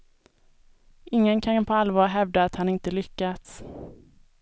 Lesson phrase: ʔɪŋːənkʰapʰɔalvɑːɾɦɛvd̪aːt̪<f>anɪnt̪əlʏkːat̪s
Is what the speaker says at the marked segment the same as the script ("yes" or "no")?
no